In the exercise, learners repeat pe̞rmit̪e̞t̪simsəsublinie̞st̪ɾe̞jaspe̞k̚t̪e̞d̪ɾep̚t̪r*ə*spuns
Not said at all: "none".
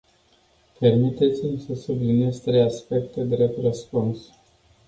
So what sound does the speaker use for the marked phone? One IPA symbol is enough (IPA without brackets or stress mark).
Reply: ə